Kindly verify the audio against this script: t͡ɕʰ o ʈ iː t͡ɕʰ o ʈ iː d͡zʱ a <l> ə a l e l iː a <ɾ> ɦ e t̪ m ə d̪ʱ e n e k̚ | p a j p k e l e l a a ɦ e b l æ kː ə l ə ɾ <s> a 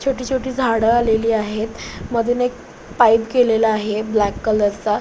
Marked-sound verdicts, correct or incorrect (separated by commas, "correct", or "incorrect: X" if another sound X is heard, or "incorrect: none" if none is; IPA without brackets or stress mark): incorrect: ɽ, incorrect: none, incorrect: t͡s